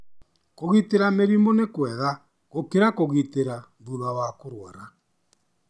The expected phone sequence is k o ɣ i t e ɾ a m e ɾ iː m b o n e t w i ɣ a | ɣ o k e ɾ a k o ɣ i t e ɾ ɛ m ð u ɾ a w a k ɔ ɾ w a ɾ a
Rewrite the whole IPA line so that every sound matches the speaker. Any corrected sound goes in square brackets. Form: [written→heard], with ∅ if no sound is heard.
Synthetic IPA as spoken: k o ɣ i t e ɾ a m e ɾ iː m b o n e [t→k] w [i→ɛ] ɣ a | ɣ o k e ɾ a k o ɣ i t e ɾ [ɛ→a] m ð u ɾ a w a k [ɔ→o] ɾ w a ɾ a

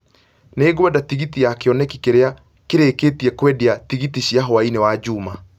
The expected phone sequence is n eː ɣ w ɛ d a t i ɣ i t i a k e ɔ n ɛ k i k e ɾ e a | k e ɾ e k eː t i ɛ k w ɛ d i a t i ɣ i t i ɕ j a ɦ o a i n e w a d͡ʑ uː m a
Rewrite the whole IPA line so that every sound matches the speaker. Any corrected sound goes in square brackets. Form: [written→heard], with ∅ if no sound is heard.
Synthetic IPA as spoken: n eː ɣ w ɛ d a t i ɣ i t i a k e ɔ n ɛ k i k e ɾ e a | k e ɾ e k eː t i ɛ k w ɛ d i a t i ɣ i t i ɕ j a ɦ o a i n e w a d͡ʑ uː m a

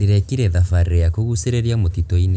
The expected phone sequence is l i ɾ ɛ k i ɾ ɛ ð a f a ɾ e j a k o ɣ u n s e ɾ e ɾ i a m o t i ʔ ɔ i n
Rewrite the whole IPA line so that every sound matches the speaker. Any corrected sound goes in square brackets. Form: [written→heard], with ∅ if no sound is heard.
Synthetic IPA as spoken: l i ɾ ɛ k i ɾ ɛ ð a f a ɾ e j a k o ɣ u [n→∅] s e ɾ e ɾ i a m o t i [ʔ→t] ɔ i n

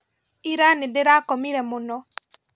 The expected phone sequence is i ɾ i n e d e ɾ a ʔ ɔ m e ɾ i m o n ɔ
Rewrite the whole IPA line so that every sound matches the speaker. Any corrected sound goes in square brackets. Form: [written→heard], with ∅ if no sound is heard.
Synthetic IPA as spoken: i ɾ [i→a] n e d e ɾ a [ʔ→k] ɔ m [e→i] ɾ [i→ɛ] m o n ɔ

